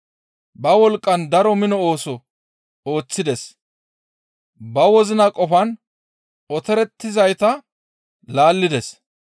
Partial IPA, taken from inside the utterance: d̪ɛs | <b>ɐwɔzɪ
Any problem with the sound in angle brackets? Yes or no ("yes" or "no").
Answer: no